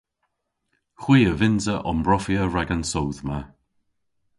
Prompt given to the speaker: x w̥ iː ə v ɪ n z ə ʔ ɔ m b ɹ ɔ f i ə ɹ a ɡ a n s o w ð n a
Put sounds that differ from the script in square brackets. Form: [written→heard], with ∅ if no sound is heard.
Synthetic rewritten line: x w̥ iː ə v ɪ n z ə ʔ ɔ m b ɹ ɔ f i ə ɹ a ɡ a n s o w ð [n→m] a